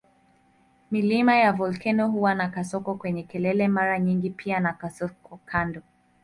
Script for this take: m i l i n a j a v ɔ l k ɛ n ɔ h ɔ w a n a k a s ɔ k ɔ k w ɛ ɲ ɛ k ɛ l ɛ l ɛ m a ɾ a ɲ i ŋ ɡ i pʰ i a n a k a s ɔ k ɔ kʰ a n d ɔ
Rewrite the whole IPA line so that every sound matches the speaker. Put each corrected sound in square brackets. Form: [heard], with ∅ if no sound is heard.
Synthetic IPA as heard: m i l i [m] a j a v ɔ l k ɛ n ɔ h [u] w a n a k a s ɔ k ɔ k w ɛ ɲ ɛ k ɛ l ɛ l ɛ m a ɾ a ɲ i ŋ ɡ i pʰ i a n a k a s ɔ k ɔ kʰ a n d ɔ